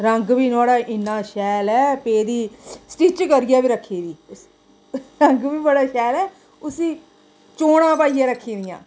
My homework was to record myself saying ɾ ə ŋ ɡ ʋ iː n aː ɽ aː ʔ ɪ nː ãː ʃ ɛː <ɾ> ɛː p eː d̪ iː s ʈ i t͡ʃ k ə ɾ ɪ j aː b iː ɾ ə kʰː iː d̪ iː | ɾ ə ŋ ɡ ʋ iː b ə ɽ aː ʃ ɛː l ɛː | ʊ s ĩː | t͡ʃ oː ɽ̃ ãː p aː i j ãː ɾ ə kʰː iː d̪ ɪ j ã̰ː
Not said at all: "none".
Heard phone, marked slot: l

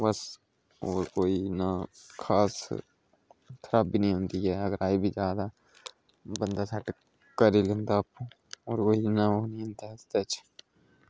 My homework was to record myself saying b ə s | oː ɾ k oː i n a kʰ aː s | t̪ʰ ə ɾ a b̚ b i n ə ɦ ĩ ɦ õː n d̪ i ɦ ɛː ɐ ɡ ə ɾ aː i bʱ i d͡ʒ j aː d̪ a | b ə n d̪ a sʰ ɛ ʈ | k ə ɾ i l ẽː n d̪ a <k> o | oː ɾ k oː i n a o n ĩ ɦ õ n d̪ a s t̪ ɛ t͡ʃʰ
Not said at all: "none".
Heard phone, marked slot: p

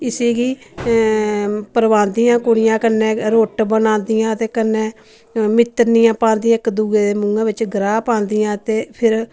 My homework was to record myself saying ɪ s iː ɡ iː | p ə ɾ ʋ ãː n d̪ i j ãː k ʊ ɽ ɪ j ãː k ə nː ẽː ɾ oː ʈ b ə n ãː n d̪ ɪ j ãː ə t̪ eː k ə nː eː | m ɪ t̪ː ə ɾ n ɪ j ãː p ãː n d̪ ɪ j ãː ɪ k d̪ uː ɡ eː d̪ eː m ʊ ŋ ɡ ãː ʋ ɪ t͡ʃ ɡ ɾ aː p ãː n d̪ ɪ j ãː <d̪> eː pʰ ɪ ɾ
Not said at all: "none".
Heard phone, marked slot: t̪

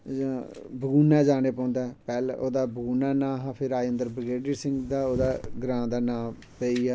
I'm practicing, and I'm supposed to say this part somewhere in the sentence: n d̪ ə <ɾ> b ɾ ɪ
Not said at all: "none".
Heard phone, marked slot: ɾ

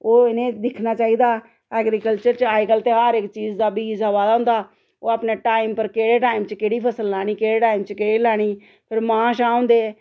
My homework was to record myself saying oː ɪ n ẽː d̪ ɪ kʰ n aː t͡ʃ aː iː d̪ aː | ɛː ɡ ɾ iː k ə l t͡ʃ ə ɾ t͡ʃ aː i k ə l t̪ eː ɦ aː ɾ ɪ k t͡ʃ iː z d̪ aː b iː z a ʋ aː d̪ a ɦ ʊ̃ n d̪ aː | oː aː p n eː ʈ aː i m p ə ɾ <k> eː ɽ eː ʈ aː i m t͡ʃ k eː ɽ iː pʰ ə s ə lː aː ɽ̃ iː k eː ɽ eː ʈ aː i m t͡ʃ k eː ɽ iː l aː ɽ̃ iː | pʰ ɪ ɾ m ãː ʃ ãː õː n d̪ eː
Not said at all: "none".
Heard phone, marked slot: k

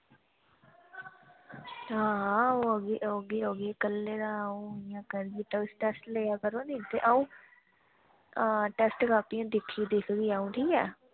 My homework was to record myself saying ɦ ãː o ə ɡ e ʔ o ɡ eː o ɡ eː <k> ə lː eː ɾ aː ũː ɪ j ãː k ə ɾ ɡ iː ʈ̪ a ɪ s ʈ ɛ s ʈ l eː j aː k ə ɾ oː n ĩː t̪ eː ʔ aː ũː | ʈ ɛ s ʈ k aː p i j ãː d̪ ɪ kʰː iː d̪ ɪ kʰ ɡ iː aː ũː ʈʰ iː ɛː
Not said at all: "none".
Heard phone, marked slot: k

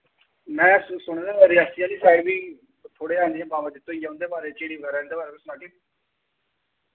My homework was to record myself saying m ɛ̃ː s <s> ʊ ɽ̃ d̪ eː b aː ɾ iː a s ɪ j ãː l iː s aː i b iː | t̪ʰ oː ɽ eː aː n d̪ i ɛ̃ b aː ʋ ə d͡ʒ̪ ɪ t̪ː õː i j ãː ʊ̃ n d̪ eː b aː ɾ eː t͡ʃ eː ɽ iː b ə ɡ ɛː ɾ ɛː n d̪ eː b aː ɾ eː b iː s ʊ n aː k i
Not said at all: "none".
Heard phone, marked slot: s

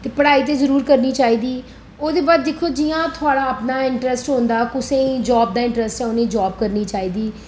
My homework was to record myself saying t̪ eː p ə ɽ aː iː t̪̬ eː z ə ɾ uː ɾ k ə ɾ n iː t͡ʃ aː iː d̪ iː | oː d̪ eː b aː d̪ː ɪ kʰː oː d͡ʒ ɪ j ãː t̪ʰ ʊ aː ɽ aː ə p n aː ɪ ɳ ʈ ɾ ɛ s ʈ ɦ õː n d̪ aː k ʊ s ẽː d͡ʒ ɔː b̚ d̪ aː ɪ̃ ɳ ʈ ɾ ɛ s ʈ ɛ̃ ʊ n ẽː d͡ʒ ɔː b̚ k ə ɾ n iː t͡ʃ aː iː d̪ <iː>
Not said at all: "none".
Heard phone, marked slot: iː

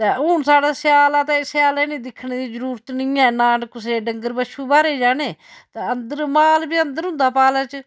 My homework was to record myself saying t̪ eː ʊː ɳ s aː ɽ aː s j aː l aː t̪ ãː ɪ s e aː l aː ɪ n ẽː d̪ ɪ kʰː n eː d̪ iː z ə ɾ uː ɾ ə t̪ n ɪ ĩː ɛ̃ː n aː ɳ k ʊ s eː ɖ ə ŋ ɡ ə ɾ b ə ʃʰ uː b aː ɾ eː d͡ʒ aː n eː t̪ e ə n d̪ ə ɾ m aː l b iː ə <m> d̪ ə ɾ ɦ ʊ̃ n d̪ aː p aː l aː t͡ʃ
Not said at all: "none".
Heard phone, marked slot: n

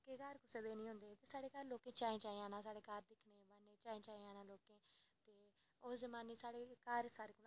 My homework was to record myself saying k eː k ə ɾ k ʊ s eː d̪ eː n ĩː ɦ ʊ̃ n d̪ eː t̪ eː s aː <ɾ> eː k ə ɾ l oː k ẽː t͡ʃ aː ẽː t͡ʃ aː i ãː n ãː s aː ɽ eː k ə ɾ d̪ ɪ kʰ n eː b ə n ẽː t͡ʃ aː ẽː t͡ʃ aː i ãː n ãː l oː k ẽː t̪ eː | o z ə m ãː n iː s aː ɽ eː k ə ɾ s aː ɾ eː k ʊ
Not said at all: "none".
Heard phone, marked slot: ɽ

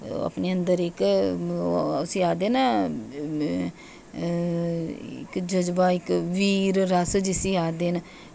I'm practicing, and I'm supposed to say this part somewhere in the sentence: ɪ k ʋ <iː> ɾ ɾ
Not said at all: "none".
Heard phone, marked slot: iː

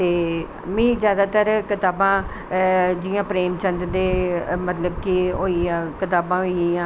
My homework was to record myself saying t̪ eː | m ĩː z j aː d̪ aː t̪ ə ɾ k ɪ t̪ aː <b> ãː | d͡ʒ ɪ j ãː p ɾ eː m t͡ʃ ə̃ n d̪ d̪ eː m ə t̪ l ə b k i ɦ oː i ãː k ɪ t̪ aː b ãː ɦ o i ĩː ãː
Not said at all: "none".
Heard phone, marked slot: b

